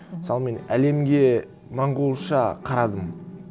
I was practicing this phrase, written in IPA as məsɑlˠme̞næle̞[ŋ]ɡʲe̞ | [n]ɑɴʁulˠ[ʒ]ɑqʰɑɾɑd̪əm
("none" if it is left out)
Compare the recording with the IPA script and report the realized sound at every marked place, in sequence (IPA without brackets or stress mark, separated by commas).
m, m, ʃ